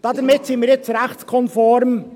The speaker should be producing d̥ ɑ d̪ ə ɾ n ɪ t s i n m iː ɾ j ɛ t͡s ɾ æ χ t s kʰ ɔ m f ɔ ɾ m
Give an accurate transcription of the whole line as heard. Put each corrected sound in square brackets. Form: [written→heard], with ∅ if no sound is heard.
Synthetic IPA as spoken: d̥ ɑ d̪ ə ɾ [n→m] ɪ t s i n m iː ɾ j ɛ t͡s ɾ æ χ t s kʰ ɔ [m→n] f ɔ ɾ m